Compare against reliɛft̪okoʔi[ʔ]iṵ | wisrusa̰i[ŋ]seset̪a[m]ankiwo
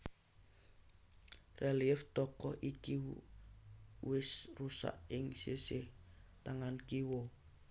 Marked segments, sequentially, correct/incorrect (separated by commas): incorrect, correct, incorrect